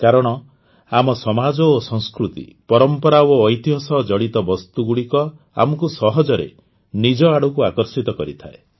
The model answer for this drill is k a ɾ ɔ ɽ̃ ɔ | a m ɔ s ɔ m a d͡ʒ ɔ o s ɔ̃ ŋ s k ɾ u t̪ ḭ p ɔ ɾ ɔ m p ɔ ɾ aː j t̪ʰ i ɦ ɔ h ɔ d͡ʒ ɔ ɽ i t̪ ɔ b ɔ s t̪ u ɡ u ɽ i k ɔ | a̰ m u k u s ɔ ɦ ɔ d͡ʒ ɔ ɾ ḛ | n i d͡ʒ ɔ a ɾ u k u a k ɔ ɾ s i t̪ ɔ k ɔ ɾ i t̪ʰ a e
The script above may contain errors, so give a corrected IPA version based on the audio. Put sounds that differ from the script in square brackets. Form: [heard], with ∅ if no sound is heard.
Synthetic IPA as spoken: k a ɾ ɔ ɽ̃ ɔ | a m ɔ s ɔ m a d͡ʒ ɔ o s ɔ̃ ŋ s k ɾ u t̪ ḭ p ɔ ɾ ɔ m p ɔ ɾ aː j [t̪] i ɦ ɔ [s] ɔ d͡ʒ ɔ ɽ i t̪ ɔ b ɔ s t̪ u ɡ u ɽ i k ɔ | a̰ m [ɔ] k u s ɔ ɦ ɔ d͡ʒ ɔ ɾ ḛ | n i d͡ʒ ɔ a [ɽ] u k u a k ɔ ɾ s i t̪ ɔ k ɔ ɾ i t̪ʰ a e